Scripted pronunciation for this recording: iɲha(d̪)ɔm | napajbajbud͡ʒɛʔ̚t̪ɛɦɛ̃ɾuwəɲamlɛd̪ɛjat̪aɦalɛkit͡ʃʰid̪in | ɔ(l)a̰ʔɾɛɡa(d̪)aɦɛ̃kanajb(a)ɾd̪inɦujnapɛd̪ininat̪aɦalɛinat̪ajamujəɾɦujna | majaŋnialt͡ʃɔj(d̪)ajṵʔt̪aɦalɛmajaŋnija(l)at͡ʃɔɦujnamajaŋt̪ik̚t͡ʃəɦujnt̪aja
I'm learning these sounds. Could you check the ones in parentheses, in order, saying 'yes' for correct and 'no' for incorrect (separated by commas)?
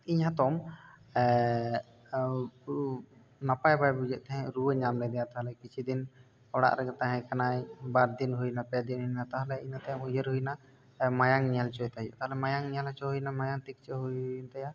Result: no, no, no, yes, no, yes